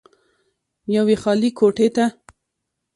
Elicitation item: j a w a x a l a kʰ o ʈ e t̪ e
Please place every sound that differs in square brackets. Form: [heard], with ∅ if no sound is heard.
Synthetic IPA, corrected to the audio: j a w [e] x [ɑ] l [i] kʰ o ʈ e t̪ [a]